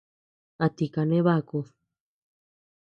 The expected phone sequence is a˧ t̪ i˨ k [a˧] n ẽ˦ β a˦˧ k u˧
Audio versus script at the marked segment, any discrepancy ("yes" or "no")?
no